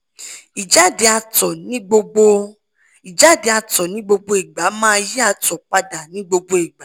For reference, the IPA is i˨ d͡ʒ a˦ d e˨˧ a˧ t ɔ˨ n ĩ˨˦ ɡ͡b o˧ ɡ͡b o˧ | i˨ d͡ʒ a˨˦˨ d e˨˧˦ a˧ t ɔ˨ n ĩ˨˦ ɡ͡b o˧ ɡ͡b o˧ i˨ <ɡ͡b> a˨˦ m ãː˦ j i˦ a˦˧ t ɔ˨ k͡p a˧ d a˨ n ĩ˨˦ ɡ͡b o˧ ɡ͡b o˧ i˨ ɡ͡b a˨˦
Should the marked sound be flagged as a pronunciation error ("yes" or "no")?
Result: no